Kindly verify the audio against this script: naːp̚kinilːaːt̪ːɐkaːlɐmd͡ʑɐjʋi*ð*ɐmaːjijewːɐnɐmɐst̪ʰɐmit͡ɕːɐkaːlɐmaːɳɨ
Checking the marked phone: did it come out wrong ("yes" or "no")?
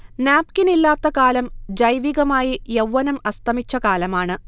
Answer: yes